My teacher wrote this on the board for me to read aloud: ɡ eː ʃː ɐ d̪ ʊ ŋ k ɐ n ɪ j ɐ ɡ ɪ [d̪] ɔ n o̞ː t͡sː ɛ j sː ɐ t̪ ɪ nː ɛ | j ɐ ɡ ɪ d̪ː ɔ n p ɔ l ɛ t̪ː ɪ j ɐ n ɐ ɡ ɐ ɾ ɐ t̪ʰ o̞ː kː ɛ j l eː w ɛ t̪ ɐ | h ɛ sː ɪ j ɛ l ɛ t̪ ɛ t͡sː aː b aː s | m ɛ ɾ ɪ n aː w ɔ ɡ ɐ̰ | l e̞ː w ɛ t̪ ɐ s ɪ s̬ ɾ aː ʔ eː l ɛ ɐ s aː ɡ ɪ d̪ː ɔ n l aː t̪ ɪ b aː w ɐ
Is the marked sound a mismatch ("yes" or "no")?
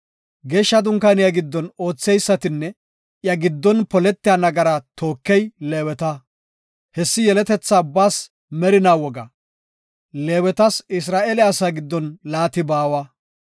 yes